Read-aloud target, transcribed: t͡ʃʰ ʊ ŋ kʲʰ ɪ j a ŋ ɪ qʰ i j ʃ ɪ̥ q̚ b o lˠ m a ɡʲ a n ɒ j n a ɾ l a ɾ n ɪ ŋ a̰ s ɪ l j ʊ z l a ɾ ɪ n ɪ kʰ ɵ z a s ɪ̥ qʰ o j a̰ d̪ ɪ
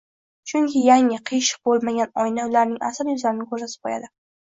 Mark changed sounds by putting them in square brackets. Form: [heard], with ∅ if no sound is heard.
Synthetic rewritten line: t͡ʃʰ ʊ ŋ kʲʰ ɪ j a ŋ ɪ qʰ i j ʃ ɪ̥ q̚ b o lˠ m a ɡʲ a n ɒ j n a [∅] l a ɾ n ɪ ŋ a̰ s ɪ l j ʊ z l a ɾ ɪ n ɪ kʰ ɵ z a s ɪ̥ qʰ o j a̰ d̪ ɪ